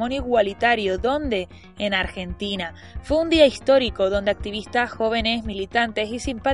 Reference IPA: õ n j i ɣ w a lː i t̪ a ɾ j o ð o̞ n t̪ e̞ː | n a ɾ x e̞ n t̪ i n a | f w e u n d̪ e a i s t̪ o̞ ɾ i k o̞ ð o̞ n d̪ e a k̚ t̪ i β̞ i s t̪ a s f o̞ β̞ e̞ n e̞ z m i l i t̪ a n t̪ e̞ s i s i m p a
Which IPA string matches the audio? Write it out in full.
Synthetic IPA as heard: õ n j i ɣ w a l i t̪ a ɾ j o ð o̞ n d̪ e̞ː | n a ɾ x e̞ n t̪ i n a | f w e u n d̪ i a i s t̪ o̞ ɾ i k o̞ ð o̞ n d̪ e a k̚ t̪ i β̞ i s t̪ a s x o̞ β̞ e̞ n e̞ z m i l i t̪ a n t̪ e̞ s i s i m p a